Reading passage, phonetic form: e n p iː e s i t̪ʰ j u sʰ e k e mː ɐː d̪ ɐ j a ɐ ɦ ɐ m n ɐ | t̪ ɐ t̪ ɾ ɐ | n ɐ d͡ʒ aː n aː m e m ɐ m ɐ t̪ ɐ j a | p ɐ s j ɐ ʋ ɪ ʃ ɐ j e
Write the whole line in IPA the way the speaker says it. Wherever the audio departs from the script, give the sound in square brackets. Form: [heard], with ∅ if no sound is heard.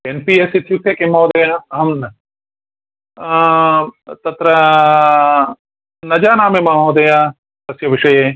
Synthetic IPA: e n p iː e s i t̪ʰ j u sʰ e k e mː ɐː d̪ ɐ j a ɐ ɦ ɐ m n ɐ | t̪ ɐ t̪ ɾ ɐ | n ɐ d͡ʒ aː n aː m e m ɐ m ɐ [d̪] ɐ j a | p ɐ s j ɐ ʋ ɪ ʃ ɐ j e